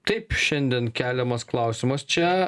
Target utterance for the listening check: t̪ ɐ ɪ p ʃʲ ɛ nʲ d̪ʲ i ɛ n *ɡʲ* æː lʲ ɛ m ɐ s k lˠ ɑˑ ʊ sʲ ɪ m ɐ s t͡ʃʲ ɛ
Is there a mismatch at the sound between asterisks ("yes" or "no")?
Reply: yes